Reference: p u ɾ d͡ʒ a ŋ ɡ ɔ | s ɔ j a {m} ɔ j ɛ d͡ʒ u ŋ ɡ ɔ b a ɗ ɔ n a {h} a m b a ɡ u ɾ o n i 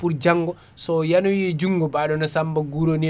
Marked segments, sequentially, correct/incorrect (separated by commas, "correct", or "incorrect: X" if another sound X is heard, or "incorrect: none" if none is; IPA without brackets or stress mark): incorrect: n, incorrect: s